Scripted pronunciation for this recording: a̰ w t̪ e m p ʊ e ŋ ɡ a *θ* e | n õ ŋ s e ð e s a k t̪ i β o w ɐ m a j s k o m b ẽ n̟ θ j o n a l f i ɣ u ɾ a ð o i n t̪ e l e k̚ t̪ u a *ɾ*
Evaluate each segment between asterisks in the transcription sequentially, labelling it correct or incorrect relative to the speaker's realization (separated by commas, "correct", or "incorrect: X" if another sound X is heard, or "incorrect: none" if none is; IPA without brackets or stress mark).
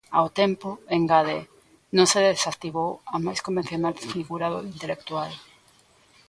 incorrect: ð, incorrect: l